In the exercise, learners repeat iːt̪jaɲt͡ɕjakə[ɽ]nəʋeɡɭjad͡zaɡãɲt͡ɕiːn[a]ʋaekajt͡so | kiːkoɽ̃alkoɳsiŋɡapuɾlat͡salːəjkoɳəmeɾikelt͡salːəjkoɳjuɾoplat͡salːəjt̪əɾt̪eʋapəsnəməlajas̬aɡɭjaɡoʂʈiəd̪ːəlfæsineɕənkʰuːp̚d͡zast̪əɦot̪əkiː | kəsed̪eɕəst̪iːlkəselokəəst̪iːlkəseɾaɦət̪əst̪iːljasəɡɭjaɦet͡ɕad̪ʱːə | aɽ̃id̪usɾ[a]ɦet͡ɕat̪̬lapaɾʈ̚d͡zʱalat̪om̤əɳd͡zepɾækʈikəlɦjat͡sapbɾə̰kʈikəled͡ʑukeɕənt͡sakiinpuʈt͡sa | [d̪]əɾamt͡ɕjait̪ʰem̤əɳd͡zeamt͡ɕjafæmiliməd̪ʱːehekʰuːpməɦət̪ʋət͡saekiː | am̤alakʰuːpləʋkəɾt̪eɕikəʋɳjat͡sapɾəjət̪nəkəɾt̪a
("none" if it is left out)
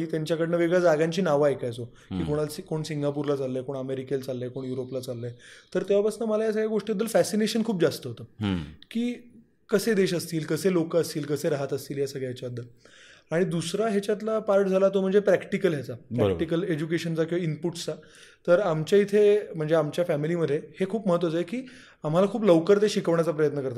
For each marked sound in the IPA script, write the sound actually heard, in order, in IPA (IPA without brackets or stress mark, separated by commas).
ɽ, a, a, t̪